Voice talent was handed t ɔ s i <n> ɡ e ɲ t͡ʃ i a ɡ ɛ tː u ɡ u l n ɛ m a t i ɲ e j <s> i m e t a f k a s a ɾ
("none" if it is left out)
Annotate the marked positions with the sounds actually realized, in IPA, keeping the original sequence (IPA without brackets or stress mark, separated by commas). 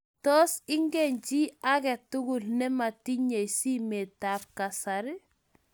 ŋ, s